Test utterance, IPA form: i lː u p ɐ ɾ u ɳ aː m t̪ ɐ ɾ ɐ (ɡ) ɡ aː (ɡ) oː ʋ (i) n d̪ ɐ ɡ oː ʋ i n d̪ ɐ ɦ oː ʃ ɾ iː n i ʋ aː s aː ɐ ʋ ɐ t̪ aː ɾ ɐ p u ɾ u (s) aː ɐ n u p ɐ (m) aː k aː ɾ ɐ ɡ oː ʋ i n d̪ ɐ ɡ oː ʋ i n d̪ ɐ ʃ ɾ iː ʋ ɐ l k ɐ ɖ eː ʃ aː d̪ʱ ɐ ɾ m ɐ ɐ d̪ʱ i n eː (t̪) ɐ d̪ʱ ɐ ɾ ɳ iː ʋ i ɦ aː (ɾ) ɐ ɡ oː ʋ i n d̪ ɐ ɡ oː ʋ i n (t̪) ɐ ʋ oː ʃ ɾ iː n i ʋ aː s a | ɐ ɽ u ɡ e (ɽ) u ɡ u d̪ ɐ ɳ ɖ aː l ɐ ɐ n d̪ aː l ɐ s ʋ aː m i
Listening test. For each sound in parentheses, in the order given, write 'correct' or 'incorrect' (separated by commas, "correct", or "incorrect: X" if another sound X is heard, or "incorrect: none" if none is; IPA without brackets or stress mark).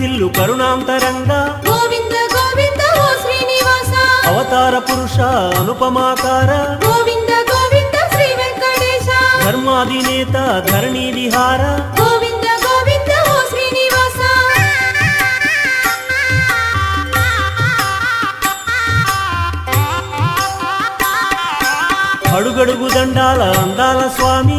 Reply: incorrect: ŋ, correct, correct, incorrect: ʂ, correct, correct, correct, incorrect: d̪, correct